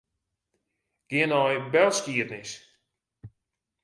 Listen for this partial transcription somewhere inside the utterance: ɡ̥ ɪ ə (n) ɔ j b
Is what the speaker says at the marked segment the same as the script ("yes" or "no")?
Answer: yes